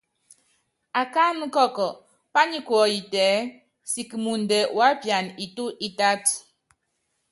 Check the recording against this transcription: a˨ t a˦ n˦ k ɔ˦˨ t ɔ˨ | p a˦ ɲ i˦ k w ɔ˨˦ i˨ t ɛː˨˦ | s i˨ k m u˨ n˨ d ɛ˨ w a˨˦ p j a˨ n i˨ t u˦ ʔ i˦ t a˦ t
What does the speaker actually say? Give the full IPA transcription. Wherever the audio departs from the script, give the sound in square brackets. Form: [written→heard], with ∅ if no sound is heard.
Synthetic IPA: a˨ [t→k] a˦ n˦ k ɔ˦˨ [t→k] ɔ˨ | p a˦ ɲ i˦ k w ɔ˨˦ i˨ t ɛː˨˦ | s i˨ k m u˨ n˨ d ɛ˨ w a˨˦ p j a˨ n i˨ t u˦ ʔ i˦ t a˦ t